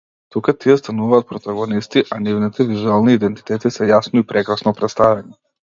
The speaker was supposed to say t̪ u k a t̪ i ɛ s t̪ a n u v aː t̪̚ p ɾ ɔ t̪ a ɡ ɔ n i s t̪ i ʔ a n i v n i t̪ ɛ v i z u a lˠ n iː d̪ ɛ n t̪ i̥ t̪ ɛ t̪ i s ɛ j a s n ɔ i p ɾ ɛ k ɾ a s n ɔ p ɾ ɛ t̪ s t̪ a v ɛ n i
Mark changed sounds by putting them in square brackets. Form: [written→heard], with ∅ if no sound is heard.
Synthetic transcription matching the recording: t̪ u k a t̪ i ɛ s t̪ a n u v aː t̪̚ p ɾ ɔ t̪ a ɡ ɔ n i s t̪ i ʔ a n i v n i t̪ ɛ v i z u a lˠ n iː d̪ ɛ n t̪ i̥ t̪ ɛ t̪ i s ɛ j a s n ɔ i p ɾ ɛ k ɾ a s n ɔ p ɾ ɛ t̪ s t̪ a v ɛ n i